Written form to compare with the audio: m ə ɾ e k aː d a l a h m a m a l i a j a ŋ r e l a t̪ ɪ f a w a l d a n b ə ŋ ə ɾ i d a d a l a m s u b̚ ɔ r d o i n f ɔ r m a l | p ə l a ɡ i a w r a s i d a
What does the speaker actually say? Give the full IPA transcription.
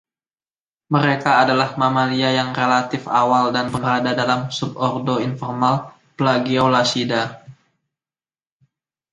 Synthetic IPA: m ə ɾ e k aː d a l a h m a m a l i a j a ŋ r e l a t̪ ɪ f a w a l d a n b ə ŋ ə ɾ a d a d a l a m s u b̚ ɔ r d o i n f ɔ r m a l | p ə l a ɡ i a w l a s i d a